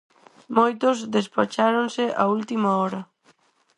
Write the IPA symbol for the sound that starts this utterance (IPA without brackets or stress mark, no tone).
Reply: m